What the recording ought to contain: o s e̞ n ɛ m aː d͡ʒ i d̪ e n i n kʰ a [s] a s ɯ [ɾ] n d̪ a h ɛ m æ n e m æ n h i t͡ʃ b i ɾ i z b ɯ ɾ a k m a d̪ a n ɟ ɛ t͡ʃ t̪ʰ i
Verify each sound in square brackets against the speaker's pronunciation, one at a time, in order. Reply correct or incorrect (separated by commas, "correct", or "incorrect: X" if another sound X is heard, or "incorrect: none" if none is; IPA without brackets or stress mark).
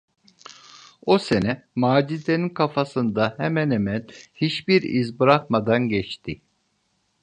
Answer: incorrect: f, incorrect: none